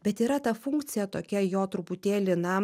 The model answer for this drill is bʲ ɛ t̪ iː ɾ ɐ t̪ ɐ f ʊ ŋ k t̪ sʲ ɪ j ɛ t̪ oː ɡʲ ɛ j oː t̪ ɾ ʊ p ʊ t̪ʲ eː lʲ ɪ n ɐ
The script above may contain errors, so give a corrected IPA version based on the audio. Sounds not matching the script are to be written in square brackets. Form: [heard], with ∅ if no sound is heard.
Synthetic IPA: bʲ ɛ t̪ iː ɾ ɐ t̪ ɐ f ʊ ŋ k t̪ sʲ ɪ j ɛ t̪ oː [kʲ] ɛ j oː t̪ ɾ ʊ p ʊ t̪ʲ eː lʲ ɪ n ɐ